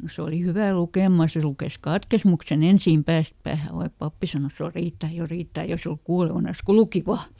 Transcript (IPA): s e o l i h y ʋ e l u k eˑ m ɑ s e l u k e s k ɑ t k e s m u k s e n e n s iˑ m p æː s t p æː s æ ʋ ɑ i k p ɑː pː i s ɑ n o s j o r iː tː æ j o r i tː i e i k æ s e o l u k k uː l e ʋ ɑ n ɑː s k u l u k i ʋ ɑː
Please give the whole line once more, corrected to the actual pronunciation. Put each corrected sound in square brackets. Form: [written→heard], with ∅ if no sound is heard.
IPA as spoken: s e o l i h y ʋ [e→æ] l u k eˑ m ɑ s e l u k e s k ɑ t k e s m u k s e n e n s iˑ m p æː s t p æː [s→h] æ ʋ ɑ i k p [ɑː→ɑ] pː i s ɑ n o s j o r iː tː æ j o r [i→iː] tː [i→æ] e i k æ s e o l u k k uː l e ʋ ɑ n [ɑː→ɑ] s k u l u k i ʋ ɑː